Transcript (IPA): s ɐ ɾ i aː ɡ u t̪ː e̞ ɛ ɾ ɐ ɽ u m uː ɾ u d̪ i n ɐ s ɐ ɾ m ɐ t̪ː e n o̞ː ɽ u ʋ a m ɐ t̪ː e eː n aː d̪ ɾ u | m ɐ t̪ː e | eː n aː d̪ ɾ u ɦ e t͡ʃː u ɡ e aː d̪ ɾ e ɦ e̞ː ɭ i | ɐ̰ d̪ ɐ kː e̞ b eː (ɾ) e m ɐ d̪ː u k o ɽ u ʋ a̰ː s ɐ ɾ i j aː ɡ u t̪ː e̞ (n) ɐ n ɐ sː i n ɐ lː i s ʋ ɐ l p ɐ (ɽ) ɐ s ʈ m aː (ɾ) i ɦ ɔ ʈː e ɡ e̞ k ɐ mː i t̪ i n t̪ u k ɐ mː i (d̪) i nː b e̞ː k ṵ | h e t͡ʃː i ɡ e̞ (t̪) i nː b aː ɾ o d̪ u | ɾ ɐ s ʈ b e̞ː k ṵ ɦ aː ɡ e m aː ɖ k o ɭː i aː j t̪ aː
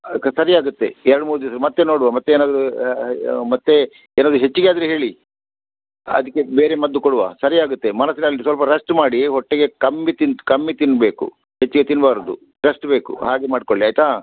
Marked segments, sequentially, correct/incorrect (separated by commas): correct, incorrect, incorrect, incorrect, incorrect, correct